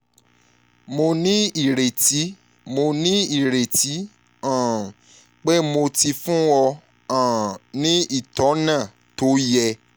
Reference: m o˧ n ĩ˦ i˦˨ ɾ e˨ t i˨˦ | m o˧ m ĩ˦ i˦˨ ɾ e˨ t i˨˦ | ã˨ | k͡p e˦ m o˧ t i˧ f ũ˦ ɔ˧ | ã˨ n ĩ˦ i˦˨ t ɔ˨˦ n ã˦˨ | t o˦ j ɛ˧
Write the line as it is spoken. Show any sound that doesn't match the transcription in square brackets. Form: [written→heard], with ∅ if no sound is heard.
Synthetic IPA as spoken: m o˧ n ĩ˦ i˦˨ ɾ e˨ t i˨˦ | m o˧ [m→n] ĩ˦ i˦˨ ɾ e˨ t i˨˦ | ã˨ | k͡p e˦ m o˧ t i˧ f ũ˦ ɔ˧ | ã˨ n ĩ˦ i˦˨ t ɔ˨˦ n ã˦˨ | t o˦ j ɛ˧